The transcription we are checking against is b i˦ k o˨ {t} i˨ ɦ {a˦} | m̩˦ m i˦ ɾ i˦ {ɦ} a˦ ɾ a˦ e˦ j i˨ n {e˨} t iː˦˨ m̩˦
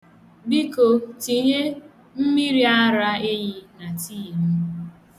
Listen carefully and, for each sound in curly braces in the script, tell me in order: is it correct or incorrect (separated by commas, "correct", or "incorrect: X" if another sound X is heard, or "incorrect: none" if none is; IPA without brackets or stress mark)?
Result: correct, incorrect: e˦, incorrect: none, incorrect: a˨